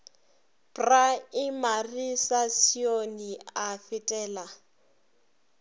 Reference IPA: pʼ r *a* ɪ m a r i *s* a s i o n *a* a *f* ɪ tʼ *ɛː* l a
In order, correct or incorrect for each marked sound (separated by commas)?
correct, correct, incorrect, correct, correct